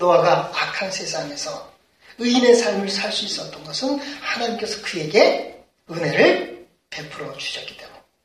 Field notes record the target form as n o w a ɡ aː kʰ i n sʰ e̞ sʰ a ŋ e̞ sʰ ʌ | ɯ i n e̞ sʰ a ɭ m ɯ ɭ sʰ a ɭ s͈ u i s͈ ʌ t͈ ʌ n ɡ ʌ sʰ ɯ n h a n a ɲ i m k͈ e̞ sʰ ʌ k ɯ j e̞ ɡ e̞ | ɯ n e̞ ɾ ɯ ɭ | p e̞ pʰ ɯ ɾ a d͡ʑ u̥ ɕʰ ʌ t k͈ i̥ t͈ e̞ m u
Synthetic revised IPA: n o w a ɡ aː kʰ a n sʰ e̞ sʰ a ŋ e̞ sʰ ʌ | ɯ i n e̞ sʰ a ɭ m ɯ ɭ sʰ a ɭ s͈ u i s͈ ʌ t͈ ʌ n ɡ ʌ sʰ ɯ n h a n a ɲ i m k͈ e̞ sʰ ʌ k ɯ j e̞ ɡ e̞ | ɯ n e̞ ɾ ɯ ɭ | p e̞ pʰ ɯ ɾ ʌ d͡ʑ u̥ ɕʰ ʌ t k͈ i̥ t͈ e̞ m u